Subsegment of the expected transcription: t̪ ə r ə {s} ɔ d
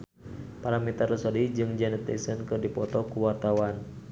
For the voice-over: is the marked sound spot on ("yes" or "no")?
yes